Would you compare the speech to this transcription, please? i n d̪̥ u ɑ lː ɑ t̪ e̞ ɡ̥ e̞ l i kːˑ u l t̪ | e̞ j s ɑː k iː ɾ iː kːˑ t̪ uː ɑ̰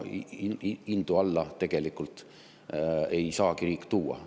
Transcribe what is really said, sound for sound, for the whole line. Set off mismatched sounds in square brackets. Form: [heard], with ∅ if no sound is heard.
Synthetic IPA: i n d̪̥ u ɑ lː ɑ t̪ e̞ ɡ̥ e̞ l i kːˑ u l t̪ | e̞ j s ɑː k [i] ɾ iː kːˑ t̪ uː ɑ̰